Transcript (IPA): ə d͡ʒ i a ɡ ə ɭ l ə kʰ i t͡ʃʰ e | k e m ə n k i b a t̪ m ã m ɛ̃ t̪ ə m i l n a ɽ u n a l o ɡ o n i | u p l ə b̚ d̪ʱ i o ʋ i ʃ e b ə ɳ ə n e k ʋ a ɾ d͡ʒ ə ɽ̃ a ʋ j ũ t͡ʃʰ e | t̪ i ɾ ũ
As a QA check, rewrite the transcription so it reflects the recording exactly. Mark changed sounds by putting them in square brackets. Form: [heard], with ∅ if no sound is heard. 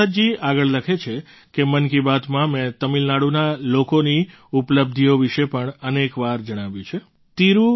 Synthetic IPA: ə d͡ʒ i a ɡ ə ɭ l ə kʰ [e] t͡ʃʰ e | k e m ə n k i b a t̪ m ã m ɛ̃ t̪ ə m i l n a ɽ u n a l o [k] o n i | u p l ə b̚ d̪ʱ i o ʋ i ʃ e [p] ə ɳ ə n e k ʋ a ɾ d͡ʒ ə ɽ̃ a ʋ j ũ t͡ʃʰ e | t̪ i ɾ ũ

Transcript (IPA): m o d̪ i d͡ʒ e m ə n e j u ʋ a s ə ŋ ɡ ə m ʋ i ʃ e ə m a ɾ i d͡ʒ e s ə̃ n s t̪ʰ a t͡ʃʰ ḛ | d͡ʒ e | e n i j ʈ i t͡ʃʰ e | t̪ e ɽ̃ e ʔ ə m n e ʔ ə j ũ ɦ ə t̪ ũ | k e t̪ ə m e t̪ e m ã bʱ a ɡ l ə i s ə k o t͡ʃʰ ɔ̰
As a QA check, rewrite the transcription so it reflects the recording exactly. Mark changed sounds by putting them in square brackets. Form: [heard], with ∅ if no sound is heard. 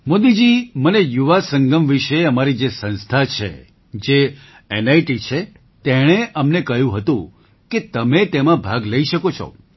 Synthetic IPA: m o d̪ i d͡ʒ [i] m ə n e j u ʋ a s ə ŋ ɡ ə m ʋ i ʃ e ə m a ɾ i d͡ʒ e s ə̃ n s t̪ʰ a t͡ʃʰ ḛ | d͡ʒ e | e n [a] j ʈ i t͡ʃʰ e | t̪ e ɽ̃ e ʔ ə m n e [k] ə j ũ ɦ ə t̪ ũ | k e t̪ ə m e t̪ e m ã bʱ a ɡ l ə i [ʃ] ə k o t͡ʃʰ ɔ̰

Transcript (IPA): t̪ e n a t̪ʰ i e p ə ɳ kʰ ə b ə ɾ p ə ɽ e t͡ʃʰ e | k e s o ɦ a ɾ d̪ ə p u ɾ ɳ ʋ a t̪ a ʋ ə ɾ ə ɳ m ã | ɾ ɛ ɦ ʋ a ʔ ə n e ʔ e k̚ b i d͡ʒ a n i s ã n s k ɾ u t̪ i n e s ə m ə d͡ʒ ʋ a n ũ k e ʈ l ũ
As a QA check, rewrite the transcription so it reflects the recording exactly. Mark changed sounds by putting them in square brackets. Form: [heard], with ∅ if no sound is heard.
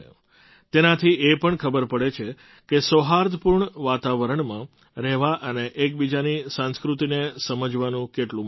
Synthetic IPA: t̪ e n a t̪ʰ i e p ə ɳ kʰ ə b ə ɾ p ə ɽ e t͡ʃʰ e | k e s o ɦ a ɾ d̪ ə p u ɾ ɳ ʋ a t̪ a ʋ ə ɾ ə ɳ m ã | ɾ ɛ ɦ ʋ a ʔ ə n e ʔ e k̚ b i d͡ʒ a n i s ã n s k ɾ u t̪ i n e s ə m ə d͡ʒ ʋ a n ũ k e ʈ l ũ

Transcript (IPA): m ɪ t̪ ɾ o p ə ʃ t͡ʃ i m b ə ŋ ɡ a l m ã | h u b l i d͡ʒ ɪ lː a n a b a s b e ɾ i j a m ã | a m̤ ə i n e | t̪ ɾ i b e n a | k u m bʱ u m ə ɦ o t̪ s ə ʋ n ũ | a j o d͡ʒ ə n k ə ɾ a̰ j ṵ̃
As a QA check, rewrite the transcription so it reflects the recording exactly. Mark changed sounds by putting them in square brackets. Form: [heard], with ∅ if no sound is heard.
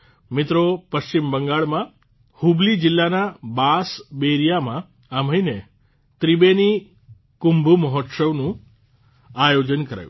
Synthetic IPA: m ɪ t̪ ɾ o p ə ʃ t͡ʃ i m b ə ŋ ɡ a [ɭ] m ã | h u b l i d͡ʒ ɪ lː a n a b a s b e ɾ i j a m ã | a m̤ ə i n e | t̪ ɾ i b e n [i] | k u m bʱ u m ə ɦ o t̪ s ə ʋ n ũ | a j o d͡ʒ ə n k ə ɾ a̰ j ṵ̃

